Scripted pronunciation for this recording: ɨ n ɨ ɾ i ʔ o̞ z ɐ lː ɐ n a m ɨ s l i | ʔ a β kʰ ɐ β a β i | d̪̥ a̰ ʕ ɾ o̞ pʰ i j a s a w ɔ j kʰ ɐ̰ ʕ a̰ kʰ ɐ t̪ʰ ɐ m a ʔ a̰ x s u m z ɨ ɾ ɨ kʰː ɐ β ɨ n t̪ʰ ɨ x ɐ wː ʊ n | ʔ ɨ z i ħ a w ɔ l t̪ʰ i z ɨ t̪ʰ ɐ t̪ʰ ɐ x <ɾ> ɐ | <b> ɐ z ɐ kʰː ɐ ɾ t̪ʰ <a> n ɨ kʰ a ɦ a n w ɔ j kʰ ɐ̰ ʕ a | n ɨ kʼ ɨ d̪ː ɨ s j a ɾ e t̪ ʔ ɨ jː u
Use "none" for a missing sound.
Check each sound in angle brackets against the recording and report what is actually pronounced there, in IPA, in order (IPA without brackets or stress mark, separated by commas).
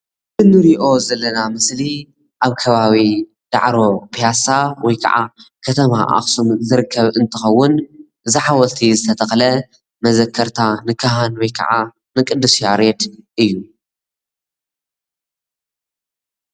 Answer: l, m, a